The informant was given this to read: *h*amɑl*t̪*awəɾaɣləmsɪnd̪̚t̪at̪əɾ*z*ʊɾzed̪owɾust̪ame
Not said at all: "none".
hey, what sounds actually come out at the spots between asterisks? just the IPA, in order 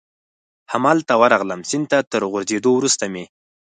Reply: h, t̪, ɣ

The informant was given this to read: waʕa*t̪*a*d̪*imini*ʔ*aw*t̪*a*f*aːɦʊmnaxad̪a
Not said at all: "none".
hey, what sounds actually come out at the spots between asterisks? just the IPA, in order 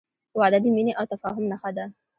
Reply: d̪, d̪, ʔ, t̪, f

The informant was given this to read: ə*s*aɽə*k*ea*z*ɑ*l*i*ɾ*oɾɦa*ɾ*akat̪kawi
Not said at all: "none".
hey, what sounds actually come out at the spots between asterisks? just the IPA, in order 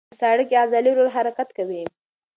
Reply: s, k, z, l, ɾ, ɾ

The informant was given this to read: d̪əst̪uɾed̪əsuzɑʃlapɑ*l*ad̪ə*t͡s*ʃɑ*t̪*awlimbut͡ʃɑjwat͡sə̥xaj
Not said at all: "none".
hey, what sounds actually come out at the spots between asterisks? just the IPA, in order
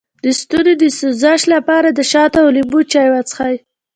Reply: ɾ, none, t̪

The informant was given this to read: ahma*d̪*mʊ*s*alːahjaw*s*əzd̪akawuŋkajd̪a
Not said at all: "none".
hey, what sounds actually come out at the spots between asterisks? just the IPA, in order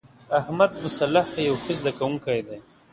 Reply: d̪, s, x

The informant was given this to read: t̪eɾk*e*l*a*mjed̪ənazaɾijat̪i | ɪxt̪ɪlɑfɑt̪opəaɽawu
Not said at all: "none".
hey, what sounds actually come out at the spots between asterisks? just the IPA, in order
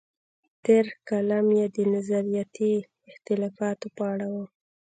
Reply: a, a

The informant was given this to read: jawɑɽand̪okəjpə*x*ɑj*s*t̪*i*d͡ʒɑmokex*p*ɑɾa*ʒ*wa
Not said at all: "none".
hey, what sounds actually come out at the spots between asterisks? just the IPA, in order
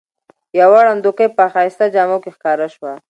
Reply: x, s, a, k, ʃ

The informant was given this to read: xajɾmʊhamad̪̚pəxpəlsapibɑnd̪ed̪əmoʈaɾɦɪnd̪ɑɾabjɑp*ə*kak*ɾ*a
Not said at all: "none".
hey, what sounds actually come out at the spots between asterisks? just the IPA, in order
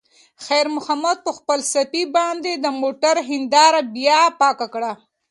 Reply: ɑ, ɽ

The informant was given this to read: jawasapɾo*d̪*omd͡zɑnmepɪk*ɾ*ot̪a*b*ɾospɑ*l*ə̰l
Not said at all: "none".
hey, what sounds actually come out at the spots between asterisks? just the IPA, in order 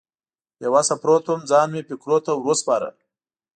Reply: t̪, ɾ, w, ɾ

